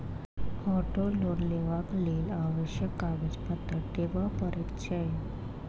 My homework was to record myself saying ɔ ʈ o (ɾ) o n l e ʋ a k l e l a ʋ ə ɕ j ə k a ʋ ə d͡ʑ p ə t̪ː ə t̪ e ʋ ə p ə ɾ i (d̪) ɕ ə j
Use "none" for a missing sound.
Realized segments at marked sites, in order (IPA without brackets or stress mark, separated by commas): l, t̪